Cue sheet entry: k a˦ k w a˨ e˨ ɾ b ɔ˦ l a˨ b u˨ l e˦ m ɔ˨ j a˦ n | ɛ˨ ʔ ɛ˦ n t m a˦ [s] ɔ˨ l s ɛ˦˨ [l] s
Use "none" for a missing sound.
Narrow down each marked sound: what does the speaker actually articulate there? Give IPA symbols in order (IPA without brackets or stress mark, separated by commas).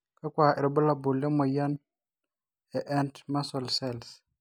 s, l